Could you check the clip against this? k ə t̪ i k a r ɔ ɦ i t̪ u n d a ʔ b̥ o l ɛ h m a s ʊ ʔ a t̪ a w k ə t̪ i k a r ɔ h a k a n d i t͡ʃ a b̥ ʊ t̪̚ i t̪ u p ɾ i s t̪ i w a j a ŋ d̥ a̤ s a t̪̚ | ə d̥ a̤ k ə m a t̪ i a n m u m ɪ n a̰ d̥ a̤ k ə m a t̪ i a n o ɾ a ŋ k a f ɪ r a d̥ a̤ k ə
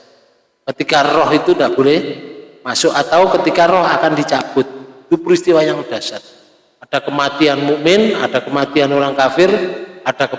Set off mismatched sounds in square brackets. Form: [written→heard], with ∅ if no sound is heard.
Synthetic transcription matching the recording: k ə t̪ i k a r ɔ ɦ i t̪ u n d a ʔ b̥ o l ɛ h m a s ʊ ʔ a t̪ a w k ə t̪ i k a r ɔ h a k a n d i t͡ʃ a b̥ ʊ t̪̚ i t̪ u p ɾ i s t̪ i w a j a ŋ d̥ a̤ s a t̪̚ | [ə→a] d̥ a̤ k ə m a t̪ i a n m u m ɪ n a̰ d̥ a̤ k ə m a t̪ i a n o ɾ a ŋ k a f ɪ r a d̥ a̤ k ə